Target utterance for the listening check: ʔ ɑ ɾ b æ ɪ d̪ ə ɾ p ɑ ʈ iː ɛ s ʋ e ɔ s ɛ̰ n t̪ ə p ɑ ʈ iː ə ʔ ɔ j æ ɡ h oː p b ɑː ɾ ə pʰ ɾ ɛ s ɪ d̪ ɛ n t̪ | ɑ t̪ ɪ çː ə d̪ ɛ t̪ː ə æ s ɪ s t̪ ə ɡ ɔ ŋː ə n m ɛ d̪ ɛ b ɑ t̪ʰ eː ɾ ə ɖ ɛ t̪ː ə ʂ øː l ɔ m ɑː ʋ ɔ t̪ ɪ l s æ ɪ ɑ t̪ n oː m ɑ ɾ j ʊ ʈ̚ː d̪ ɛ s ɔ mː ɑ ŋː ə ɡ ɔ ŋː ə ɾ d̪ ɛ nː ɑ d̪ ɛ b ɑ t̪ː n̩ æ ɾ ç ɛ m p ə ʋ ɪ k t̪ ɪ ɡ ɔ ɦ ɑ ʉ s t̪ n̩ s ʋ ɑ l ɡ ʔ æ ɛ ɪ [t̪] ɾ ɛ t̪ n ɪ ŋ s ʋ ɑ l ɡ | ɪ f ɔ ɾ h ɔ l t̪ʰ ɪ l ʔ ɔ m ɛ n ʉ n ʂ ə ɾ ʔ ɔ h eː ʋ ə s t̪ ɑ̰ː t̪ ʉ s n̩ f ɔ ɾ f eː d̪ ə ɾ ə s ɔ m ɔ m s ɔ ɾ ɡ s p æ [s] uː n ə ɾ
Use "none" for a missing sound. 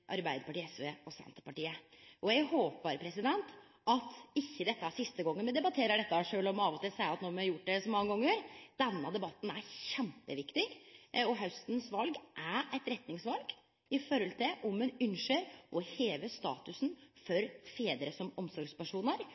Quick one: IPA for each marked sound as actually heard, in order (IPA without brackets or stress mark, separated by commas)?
t̪, ʂ